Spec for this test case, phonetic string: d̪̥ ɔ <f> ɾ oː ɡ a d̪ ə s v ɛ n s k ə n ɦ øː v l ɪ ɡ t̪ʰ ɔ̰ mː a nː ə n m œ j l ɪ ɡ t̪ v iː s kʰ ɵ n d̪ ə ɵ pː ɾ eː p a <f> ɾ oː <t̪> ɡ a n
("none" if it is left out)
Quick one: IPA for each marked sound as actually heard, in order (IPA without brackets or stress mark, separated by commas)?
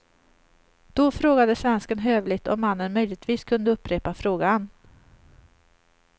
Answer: f, f, none